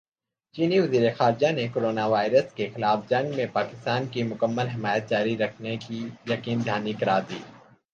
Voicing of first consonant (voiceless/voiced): voiceless